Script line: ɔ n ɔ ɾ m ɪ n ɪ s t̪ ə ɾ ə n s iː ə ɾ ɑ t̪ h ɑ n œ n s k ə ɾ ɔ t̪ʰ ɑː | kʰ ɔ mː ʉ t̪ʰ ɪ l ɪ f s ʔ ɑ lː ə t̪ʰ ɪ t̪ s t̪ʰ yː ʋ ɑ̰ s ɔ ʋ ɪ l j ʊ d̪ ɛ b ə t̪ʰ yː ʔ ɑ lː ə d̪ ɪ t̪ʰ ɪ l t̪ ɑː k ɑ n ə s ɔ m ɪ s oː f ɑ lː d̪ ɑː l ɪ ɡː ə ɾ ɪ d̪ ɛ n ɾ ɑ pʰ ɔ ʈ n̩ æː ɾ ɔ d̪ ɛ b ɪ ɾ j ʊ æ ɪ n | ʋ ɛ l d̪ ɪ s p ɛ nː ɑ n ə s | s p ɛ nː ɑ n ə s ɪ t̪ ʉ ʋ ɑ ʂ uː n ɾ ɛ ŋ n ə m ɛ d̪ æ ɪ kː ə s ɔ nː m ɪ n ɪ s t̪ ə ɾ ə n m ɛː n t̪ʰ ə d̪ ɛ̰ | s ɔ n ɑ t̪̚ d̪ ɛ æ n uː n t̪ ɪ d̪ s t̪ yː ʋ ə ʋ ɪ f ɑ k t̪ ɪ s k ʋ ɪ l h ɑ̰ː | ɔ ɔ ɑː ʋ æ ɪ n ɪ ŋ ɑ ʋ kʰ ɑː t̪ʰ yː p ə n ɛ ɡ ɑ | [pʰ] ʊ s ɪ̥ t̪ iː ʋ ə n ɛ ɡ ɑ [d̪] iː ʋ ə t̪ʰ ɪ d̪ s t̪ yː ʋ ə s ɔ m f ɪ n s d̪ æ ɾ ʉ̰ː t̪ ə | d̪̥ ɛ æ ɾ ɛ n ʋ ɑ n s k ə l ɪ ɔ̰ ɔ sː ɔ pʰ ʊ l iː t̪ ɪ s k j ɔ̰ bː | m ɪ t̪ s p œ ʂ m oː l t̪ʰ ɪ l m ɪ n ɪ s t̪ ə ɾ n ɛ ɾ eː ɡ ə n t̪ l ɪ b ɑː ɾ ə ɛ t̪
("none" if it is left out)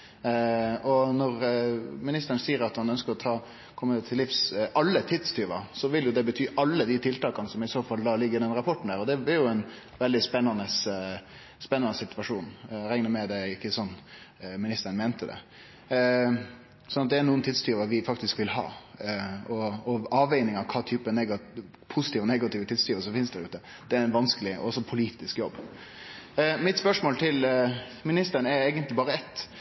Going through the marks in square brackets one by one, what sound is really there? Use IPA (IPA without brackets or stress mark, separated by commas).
pʰ, t̪